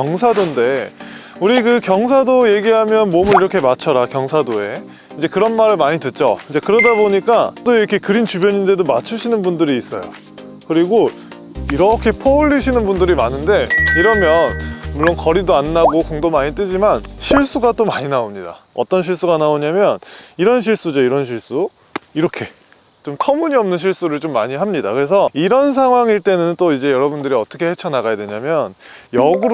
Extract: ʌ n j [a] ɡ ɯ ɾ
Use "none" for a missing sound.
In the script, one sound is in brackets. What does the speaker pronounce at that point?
ʌ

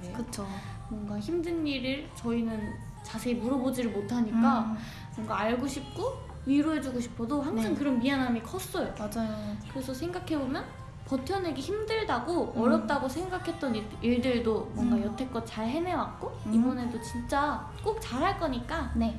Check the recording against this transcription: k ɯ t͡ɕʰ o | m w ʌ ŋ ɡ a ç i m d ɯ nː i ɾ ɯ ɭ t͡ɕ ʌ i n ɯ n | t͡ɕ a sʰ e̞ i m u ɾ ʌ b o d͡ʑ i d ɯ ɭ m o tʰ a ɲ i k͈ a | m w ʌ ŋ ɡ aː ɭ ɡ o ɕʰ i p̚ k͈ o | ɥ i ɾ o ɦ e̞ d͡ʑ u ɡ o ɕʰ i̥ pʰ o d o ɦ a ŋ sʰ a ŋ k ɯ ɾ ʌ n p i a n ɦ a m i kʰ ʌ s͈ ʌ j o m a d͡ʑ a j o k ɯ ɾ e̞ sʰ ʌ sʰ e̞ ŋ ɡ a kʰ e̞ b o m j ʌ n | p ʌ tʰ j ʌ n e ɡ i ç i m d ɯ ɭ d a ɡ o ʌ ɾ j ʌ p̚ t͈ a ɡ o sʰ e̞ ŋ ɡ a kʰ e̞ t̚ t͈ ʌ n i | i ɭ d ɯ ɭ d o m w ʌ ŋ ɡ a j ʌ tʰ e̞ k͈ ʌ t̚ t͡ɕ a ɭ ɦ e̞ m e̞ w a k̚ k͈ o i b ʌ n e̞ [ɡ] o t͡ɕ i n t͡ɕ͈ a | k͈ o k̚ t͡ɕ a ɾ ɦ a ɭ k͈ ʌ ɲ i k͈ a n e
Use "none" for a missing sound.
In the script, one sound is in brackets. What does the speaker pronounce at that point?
d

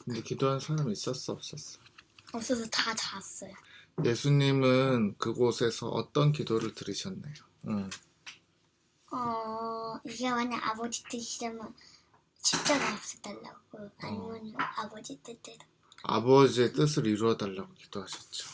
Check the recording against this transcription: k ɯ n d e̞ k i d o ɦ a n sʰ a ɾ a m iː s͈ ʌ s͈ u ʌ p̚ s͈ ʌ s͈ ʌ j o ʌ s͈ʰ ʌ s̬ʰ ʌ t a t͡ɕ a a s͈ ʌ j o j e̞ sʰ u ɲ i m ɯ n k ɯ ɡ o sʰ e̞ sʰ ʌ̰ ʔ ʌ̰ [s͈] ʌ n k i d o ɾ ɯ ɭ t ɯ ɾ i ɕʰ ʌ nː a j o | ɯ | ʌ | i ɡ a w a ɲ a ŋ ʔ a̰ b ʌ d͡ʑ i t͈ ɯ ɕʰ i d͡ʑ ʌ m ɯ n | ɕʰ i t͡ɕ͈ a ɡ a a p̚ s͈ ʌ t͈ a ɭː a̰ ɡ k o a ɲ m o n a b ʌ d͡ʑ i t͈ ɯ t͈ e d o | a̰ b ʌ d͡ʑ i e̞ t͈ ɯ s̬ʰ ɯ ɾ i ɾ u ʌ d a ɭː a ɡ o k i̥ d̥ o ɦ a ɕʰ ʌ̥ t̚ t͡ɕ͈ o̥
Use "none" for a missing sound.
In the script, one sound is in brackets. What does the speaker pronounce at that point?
t͈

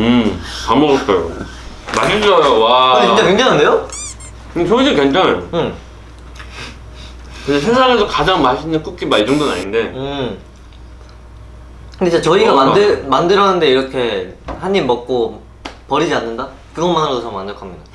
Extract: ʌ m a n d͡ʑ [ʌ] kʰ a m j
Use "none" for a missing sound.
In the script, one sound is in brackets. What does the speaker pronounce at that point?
ʌ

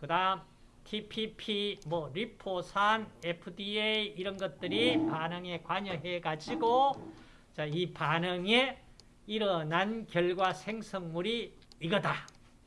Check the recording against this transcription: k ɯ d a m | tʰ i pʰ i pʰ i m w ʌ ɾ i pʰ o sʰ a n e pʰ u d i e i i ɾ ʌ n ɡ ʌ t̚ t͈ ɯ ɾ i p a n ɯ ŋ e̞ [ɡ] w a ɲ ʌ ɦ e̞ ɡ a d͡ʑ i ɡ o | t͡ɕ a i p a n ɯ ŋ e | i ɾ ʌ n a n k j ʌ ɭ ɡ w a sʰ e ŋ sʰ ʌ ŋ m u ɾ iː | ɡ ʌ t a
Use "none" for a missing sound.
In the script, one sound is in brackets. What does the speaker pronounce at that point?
k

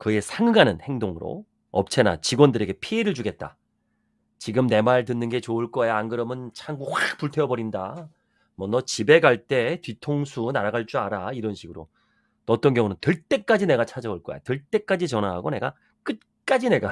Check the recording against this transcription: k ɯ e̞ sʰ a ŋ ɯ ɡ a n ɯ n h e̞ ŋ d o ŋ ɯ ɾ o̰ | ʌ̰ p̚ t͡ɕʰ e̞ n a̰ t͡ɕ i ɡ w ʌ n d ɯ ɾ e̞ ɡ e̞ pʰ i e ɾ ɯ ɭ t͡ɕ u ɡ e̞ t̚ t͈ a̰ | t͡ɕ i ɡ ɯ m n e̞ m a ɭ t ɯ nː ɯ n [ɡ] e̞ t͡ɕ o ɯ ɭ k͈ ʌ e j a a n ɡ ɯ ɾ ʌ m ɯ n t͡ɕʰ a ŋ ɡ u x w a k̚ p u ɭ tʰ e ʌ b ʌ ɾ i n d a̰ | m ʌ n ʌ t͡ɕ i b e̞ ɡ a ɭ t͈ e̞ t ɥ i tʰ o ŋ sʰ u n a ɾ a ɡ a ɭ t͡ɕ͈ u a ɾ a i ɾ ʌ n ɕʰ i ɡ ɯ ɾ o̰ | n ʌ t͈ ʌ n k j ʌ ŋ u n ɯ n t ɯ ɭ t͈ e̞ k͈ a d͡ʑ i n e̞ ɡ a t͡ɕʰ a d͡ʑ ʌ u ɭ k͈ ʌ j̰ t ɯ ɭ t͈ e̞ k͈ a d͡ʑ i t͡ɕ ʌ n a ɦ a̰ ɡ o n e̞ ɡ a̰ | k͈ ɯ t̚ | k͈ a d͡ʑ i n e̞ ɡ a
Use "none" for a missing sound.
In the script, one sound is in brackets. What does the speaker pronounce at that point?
ɡ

